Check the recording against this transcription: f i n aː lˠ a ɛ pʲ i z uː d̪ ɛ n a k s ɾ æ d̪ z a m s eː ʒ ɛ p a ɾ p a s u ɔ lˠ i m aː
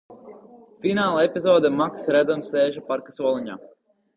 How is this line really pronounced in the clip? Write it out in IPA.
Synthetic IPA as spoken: f i n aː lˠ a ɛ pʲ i z ɔː d̪ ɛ m a k s ɾ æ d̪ z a m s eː ʒ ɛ p a ɾ k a s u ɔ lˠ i ɲ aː